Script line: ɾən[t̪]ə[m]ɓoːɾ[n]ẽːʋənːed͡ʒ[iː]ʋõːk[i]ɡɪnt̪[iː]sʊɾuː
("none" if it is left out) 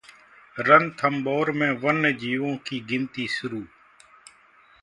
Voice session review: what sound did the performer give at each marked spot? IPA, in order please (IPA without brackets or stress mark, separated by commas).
t̪ʰ, m, m, iː, iː, iː